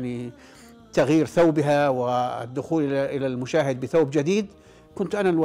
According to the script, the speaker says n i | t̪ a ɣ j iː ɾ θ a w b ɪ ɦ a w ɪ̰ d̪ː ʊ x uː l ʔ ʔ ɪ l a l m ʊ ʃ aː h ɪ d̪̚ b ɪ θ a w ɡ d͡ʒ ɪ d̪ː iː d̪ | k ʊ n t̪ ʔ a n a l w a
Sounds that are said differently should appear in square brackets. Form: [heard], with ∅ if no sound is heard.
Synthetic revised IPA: n i | t̪ a ɣ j iː ɾ θ a w b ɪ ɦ a w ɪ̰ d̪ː ʊ x uː l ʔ ʔ ɪ l a l m ʊ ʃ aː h ɪ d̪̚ b ɪ θ a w [b] d͡ʒ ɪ [d̪] iː d̪ | k ʊ n t̪ ʔ a n a l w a